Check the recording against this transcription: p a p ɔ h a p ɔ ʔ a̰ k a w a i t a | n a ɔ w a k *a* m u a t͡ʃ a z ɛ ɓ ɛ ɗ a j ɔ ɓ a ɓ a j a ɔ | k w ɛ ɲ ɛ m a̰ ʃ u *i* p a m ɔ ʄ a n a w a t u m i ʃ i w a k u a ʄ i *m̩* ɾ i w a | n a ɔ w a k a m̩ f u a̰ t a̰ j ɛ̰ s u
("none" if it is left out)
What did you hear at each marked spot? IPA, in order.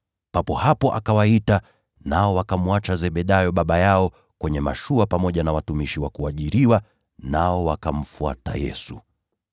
a, a, none

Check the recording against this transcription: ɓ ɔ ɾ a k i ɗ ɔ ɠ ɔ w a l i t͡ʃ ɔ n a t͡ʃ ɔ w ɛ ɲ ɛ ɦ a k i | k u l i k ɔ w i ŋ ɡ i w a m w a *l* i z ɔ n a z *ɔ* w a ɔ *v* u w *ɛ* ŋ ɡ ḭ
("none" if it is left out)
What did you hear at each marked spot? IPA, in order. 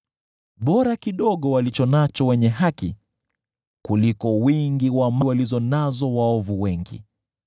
l, ɔ, v, ɛ

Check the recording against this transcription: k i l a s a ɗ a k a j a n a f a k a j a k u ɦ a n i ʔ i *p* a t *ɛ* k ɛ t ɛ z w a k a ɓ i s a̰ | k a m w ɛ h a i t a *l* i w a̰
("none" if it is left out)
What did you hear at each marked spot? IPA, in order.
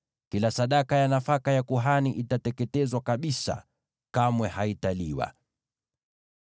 t, ɛ, l

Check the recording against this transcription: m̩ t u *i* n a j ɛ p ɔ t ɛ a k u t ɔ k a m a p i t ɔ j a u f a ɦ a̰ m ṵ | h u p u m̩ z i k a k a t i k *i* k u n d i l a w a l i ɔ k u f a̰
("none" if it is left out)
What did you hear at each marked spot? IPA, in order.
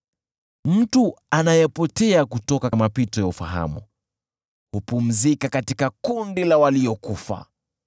a, a

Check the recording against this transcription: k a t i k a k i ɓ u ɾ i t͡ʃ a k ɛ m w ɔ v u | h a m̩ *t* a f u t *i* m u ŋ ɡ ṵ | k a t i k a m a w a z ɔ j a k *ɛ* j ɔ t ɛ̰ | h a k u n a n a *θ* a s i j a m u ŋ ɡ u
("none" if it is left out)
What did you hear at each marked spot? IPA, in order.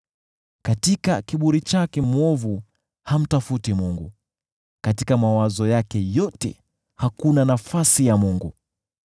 t, i, ɛ, f

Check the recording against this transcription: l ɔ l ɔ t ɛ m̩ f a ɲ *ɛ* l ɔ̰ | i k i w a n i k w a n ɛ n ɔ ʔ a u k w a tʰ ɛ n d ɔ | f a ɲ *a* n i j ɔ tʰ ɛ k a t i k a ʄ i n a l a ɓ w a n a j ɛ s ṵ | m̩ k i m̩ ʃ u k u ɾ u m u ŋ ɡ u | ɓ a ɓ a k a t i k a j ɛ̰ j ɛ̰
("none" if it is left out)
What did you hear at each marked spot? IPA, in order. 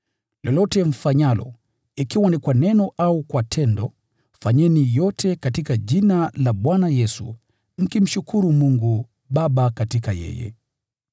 a, ɛ

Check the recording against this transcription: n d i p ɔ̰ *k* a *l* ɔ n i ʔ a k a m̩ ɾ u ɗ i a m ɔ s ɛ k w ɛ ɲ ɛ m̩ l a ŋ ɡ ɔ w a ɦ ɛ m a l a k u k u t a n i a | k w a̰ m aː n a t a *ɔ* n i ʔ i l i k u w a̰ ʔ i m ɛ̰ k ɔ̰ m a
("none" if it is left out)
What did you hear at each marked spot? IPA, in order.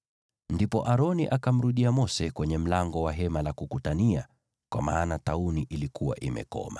ʔ, ɾ, u

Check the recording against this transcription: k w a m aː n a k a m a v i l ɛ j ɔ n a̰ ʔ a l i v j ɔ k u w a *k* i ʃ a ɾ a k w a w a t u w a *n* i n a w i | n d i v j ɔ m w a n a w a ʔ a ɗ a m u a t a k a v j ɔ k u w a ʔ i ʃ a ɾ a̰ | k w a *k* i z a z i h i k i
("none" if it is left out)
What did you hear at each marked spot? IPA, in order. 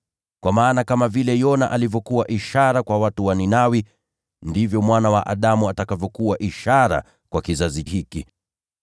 ʔ, n, k

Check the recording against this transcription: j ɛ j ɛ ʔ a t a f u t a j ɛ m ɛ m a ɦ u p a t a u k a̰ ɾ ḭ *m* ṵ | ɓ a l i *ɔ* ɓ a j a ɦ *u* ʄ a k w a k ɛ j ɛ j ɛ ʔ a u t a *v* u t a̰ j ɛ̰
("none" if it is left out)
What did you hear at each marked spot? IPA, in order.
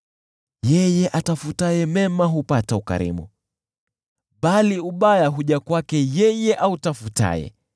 m, u, u, f

